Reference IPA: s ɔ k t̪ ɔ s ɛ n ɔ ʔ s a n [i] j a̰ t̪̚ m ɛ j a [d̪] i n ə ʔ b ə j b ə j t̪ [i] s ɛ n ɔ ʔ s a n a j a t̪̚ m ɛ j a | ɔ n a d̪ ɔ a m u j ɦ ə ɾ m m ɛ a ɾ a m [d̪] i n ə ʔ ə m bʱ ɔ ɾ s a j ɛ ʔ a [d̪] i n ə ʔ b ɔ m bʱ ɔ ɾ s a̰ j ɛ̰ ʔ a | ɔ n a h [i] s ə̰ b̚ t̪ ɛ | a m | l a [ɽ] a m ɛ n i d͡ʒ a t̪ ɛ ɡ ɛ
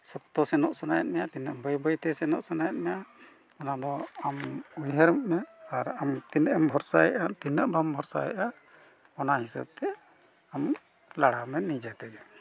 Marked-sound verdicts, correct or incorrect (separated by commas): incorrect, incorrect, incorrect, incorrect, incorrect, correct, correct